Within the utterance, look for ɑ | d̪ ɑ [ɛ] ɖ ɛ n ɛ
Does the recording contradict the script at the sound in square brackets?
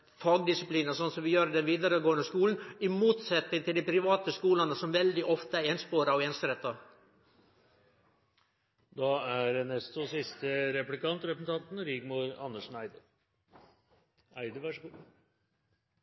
yes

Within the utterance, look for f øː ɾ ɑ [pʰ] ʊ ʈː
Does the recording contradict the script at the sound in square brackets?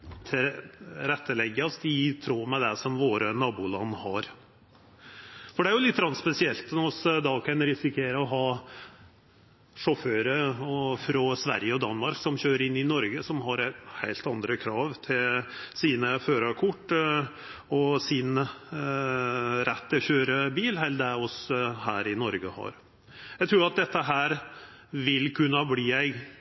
yes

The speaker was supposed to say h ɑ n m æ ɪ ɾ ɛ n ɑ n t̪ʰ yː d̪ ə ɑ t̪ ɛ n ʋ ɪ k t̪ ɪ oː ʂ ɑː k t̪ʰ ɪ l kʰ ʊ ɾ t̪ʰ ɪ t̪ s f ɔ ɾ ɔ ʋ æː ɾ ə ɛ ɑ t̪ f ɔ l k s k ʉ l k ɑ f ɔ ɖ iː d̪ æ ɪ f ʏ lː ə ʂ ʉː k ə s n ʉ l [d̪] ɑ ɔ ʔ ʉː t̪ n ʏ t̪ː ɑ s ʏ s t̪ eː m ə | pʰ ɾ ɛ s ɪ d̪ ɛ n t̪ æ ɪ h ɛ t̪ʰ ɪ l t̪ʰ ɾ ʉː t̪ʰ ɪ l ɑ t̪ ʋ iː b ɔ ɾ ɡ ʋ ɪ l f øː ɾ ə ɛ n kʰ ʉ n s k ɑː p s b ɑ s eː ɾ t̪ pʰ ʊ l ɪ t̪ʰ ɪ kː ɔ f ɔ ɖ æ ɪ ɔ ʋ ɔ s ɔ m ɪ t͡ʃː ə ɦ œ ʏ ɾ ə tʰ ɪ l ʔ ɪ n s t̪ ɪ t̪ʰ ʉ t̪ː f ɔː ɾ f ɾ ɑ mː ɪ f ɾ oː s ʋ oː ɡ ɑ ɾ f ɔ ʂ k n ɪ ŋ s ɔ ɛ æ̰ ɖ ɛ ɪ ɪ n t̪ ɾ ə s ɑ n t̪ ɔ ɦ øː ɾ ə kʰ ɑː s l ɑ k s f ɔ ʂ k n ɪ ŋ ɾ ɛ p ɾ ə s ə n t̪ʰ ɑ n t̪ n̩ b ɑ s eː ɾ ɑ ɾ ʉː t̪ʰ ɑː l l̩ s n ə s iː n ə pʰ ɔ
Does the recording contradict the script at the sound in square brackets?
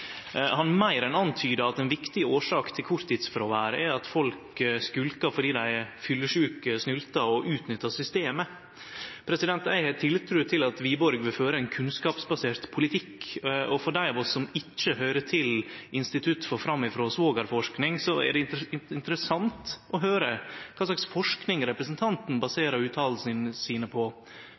yes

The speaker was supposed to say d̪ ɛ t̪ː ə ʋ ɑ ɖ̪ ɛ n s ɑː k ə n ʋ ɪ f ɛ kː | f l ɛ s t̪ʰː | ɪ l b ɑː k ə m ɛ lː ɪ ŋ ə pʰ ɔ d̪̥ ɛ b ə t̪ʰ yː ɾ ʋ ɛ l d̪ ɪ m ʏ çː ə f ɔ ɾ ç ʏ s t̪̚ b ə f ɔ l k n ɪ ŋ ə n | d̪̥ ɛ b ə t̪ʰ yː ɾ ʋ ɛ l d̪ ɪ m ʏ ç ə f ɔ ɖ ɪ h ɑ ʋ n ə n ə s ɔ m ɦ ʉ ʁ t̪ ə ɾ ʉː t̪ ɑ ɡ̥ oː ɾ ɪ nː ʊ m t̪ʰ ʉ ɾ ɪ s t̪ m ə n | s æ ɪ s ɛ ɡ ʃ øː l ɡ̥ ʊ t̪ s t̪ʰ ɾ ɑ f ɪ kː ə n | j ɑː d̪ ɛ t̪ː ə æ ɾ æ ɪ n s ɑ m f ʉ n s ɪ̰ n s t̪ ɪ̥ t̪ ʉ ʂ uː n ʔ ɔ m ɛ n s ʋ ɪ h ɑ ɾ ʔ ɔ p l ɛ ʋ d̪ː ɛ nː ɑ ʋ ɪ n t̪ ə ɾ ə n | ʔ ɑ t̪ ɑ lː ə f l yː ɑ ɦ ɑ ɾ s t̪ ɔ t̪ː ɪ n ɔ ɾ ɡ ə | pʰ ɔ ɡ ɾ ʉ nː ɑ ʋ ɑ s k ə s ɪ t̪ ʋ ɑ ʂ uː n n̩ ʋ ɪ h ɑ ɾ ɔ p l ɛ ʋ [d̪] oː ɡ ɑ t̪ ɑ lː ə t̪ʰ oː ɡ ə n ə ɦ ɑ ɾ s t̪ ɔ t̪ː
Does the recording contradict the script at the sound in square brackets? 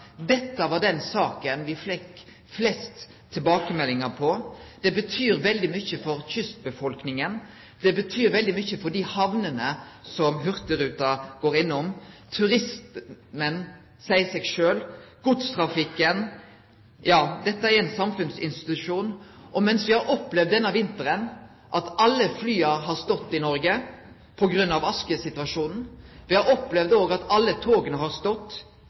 no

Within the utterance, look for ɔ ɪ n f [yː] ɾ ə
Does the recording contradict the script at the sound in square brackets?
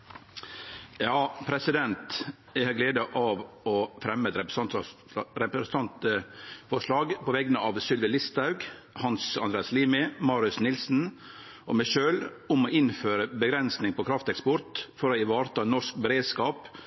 yes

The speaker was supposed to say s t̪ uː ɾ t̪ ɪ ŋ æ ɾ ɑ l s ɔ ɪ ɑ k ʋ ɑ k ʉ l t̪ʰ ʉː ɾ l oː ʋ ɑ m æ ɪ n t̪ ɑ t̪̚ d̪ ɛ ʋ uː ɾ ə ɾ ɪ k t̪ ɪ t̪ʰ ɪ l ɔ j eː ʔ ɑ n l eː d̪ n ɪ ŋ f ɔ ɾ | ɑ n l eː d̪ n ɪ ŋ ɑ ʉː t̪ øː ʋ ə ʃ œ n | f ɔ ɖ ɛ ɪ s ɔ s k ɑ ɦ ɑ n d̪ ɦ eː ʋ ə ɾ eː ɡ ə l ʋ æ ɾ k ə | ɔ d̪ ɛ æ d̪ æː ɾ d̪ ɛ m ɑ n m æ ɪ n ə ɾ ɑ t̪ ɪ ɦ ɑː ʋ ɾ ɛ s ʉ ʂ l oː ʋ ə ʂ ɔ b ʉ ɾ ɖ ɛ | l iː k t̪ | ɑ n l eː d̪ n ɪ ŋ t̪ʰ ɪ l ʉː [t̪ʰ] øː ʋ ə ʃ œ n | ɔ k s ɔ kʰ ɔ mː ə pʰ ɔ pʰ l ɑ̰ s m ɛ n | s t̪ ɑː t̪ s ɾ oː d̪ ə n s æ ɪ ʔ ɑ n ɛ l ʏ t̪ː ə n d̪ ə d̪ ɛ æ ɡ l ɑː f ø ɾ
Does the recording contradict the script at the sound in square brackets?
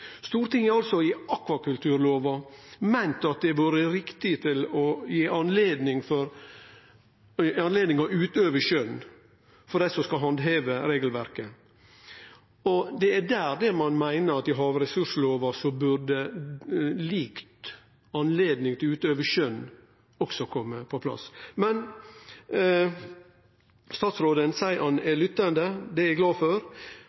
yes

